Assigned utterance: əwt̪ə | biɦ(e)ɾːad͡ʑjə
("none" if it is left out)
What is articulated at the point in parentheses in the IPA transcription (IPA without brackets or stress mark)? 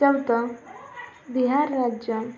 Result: a